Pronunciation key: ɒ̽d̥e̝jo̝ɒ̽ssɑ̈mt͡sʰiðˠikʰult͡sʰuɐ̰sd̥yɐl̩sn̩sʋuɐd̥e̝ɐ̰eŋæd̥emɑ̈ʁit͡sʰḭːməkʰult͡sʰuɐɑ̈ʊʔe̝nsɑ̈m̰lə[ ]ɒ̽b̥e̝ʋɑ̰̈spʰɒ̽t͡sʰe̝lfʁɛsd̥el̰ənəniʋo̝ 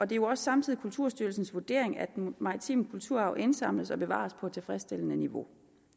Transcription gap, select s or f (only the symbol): s